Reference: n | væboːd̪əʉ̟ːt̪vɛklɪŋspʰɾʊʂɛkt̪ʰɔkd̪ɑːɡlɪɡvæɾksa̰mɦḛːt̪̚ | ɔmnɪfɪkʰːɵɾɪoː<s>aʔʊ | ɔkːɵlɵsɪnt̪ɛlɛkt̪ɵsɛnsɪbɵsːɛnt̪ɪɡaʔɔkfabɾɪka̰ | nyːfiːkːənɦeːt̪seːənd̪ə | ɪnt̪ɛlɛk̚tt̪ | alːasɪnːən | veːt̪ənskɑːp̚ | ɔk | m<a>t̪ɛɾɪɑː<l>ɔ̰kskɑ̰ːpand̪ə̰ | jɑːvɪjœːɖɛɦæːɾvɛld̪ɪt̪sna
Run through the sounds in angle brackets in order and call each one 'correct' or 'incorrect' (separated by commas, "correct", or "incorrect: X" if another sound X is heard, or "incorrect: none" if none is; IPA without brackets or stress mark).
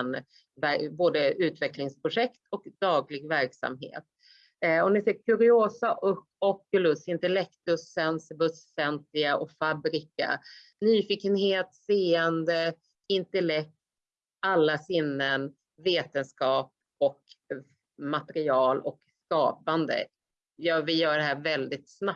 correct, correct, correct